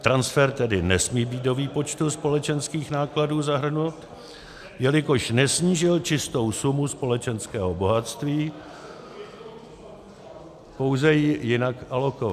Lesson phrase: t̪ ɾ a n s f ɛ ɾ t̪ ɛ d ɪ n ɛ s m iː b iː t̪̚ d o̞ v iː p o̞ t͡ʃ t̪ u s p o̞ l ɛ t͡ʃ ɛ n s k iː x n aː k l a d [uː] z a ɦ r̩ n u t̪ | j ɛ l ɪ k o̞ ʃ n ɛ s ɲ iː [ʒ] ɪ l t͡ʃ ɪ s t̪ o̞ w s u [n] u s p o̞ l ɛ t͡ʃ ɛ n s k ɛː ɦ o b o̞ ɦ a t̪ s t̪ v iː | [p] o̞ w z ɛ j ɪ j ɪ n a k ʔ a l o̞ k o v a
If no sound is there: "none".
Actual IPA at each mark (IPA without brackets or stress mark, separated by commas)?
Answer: uː, ʒ, m, p